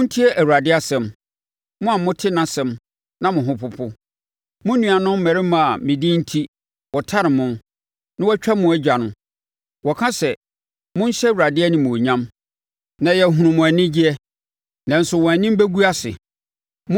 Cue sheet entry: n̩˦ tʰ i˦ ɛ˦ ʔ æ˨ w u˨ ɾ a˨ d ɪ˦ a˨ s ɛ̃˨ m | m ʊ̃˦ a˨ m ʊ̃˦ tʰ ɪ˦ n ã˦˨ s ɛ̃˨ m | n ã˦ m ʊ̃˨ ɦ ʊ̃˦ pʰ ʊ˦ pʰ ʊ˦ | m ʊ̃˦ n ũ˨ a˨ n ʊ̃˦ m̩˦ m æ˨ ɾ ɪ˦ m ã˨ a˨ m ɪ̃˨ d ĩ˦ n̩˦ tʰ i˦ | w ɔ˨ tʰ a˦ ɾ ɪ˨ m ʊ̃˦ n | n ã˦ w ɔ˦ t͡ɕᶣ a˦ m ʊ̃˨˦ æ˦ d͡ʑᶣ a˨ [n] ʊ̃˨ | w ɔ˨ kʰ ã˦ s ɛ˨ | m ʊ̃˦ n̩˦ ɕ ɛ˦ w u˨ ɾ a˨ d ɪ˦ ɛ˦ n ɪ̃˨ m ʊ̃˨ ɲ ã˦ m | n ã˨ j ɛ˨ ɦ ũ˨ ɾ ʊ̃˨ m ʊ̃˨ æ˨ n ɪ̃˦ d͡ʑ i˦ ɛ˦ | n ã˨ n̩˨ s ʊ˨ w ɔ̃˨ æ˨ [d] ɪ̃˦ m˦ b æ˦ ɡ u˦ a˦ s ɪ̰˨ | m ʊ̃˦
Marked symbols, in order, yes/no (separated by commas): yes, no